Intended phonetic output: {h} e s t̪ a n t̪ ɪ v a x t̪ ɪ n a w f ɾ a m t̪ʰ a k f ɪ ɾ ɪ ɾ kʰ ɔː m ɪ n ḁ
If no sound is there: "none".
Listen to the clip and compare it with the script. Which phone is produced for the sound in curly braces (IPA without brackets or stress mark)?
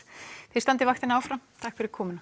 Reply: θ